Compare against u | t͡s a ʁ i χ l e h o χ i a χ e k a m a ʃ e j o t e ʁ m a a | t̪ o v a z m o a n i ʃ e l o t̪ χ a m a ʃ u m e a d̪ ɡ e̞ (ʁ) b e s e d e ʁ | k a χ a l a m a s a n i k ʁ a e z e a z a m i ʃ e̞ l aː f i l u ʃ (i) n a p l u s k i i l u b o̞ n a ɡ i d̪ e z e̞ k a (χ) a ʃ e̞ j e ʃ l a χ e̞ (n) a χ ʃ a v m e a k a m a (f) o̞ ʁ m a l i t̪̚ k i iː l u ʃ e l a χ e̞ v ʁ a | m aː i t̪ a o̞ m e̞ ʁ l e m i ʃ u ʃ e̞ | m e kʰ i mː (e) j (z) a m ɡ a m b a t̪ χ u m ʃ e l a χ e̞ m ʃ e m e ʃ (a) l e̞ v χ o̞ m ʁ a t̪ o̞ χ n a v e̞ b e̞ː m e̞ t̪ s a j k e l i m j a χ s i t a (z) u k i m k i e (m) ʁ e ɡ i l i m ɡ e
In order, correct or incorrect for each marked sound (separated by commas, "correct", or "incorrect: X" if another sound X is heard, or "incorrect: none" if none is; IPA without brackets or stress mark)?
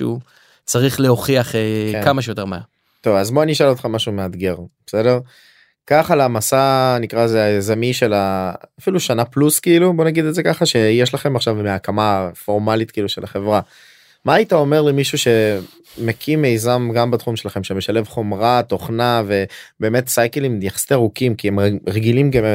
correct, incorrect: a, correct, incorrect: m, correct, correct, correct, correct, incorrect: ʁ, correct